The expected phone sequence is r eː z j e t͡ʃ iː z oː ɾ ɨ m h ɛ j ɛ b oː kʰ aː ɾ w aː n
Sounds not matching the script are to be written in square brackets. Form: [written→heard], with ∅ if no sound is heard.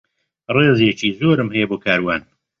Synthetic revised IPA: r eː z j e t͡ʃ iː z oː ɾ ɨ m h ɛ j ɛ b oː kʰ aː ɾ w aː n